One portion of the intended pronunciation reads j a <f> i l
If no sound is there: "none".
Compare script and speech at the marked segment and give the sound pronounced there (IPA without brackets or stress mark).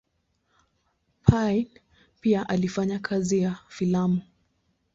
f